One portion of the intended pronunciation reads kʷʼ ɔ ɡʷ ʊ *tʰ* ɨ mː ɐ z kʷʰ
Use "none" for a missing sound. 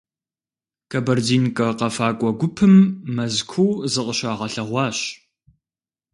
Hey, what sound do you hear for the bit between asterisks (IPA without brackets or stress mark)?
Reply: pʰ